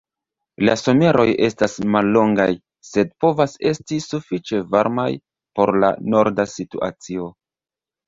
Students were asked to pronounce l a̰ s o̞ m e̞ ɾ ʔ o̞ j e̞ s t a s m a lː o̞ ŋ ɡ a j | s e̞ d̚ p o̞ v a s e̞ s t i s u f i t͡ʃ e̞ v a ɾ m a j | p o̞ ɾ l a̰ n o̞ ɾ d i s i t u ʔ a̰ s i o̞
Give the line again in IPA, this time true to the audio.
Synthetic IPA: l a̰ s o̞ m e̞ ɾ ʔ o̞ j e̞ s t a s m a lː o̞ ŋ ɡ a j | s e̞ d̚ p o̞ v a s e̞ s t i s u f i t͡ʃ e̞ v a ɾ m a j | p o̞ ɾ l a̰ n o̞ ɾ d a s i t u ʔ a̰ t͡s i o̞